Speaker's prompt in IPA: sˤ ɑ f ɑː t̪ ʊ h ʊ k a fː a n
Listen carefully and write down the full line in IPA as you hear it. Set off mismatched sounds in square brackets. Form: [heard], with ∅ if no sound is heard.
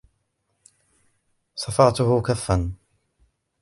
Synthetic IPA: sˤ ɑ f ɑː t̪ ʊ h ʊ k a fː a n